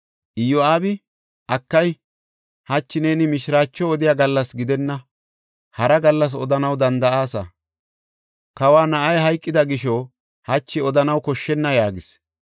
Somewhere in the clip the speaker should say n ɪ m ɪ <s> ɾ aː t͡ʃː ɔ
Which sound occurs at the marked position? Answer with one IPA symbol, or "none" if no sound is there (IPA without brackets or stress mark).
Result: ʃ